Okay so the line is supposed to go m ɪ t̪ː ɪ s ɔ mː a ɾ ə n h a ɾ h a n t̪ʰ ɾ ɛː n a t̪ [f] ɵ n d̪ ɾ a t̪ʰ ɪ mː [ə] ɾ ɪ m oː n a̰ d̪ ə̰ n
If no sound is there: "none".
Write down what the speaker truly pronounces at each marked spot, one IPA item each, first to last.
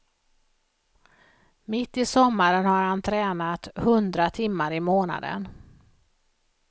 h, a

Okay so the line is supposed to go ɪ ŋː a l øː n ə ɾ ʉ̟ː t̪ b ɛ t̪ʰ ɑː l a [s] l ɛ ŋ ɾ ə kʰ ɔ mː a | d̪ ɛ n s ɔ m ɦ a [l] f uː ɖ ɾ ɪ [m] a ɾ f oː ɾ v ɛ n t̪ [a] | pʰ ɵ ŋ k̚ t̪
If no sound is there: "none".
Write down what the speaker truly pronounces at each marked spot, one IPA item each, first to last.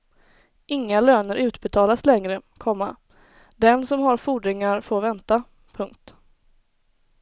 s, ɾ, ŋ, a

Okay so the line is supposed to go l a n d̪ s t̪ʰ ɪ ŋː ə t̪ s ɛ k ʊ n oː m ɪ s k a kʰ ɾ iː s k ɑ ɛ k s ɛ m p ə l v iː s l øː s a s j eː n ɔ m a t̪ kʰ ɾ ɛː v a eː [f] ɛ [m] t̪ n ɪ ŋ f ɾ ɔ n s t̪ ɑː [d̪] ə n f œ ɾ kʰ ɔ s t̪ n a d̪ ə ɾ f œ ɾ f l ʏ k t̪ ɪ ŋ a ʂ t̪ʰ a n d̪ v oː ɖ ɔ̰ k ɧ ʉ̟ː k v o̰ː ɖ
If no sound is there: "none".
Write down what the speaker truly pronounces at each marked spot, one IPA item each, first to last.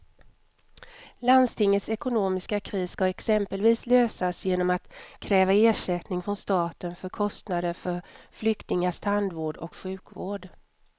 ʂ, none, t̪

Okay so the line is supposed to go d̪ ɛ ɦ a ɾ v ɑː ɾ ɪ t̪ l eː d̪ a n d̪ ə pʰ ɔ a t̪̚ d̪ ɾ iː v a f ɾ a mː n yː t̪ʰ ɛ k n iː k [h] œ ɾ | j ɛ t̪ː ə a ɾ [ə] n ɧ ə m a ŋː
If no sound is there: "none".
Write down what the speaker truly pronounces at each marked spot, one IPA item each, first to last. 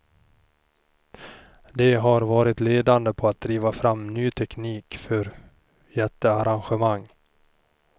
f, a

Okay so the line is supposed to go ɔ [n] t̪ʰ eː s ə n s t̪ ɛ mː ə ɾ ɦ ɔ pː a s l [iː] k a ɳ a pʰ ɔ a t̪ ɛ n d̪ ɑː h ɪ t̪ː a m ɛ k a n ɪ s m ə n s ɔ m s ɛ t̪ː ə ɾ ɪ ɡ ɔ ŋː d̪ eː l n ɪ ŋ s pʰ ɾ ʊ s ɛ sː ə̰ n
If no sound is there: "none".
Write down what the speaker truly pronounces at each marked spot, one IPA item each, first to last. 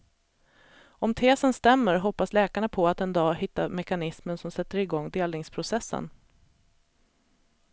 m, ɛː

